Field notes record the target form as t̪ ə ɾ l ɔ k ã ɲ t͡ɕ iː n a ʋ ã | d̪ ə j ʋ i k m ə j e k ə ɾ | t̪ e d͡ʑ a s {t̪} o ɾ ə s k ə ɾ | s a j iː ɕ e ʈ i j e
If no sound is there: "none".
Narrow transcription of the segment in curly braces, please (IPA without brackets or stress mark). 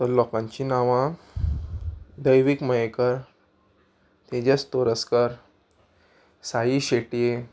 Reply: t̪